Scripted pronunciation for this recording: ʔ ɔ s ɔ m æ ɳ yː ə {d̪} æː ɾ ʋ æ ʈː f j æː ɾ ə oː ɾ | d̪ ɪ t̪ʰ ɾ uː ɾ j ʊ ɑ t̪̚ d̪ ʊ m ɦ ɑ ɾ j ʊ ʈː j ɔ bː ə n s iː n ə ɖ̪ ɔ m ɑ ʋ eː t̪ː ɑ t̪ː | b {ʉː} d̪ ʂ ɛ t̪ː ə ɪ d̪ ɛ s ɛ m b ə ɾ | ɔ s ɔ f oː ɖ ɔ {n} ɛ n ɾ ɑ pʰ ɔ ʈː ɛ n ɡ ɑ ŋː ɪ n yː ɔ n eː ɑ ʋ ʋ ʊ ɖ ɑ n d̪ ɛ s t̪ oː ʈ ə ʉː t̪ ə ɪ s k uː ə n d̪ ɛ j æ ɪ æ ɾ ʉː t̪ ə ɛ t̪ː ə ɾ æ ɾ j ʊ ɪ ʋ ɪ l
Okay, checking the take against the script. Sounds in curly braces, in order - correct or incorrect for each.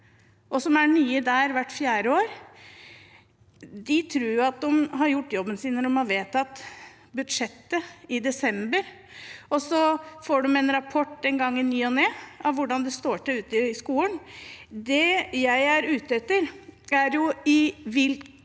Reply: correct, incorrect, incorrect

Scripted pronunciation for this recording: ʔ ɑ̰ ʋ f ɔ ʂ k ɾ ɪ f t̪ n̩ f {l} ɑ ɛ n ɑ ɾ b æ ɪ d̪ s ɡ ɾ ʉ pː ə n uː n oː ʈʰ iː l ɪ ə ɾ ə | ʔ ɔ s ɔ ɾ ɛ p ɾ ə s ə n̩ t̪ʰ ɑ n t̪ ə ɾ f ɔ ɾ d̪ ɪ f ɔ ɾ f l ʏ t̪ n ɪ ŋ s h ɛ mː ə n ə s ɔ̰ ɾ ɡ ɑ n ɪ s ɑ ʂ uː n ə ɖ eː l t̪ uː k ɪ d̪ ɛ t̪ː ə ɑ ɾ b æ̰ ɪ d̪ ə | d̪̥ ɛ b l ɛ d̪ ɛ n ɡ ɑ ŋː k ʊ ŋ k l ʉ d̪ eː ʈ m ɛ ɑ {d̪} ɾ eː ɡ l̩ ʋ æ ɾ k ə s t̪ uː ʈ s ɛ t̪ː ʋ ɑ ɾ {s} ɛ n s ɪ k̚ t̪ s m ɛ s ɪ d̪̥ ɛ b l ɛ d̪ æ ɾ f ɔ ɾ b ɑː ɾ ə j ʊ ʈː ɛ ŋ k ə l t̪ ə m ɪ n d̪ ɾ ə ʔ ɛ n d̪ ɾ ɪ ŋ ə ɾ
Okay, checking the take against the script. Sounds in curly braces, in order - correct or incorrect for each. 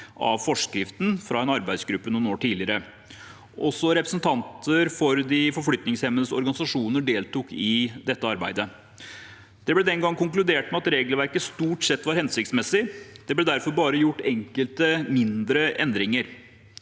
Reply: incorrect, incorrect, incorrect

